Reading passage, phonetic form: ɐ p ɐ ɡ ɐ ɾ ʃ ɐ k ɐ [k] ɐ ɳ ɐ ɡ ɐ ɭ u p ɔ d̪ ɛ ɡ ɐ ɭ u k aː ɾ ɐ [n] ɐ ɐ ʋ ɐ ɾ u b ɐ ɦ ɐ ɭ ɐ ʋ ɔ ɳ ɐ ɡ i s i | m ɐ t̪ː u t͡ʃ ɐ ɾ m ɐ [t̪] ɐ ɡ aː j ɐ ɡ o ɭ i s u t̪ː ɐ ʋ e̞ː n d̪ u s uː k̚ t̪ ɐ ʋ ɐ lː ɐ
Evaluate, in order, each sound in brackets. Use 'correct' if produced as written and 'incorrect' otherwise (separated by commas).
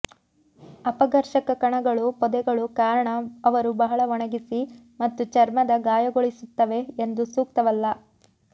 correct, incorrect, incorrect